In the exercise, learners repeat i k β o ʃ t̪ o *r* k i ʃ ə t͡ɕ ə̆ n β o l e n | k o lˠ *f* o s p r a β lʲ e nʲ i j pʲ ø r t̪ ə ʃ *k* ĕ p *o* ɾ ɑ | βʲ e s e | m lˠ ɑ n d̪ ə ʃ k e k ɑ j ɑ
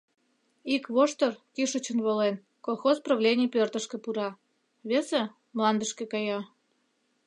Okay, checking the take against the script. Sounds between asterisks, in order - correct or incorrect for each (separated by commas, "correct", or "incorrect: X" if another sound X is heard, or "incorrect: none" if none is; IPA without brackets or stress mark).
correct, incorrect: x, correct, incorrect: u